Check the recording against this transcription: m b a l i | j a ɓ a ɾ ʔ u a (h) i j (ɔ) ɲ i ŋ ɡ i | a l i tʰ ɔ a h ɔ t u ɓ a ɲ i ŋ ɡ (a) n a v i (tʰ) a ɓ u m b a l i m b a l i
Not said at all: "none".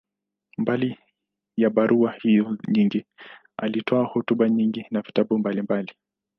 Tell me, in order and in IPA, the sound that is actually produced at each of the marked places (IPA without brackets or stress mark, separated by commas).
h, ɔ, i, t